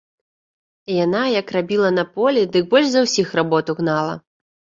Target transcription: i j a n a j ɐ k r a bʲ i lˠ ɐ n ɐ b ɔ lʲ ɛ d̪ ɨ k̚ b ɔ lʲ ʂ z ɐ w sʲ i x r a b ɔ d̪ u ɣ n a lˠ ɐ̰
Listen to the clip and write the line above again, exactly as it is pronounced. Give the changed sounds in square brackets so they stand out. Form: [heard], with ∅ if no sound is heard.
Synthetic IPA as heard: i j a n a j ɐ k r a bʲ i lˠ ɐ n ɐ [p] ɔ lʲ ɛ d̪ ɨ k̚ b ɔ lʲ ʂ z ɐ w sʲ i x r a b ɔ [t̪] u ɣ n a lˠ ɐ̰